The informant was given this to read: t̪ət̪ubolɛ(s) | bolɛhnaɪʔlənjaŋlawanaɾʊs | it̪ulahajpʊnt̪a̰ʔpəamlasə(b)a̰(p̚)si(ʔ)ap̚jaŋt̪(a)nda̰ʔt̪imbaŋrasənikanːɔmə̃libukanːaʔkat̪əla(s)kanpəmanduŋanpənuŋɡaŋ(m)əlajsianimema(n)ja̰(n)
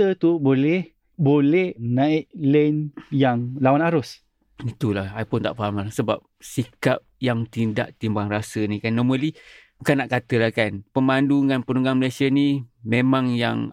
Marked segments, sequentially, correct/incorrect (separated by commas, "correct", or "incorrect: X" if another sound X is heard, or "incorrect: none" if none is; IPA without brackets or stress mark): incorrect: h, correct, correct, incorrect: k, incorrect: i, incorrect: h, correct, incorrect: ŋ, incorrect: ŋ